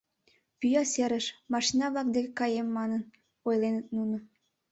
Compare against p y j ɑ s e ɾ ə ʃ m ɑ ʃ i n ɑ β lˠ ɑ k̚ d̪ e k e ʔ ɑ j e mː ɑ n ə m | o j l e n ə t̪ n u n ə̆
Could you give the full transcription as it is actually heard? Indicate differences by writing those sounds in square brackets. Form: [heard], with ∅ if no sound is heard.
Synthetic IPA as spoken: p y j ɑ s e ɾ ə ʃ m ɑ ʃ i n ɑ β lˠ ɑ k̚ d̪ e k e [k] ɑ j e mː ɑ n ə [n] | o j l e n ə t̪ n u n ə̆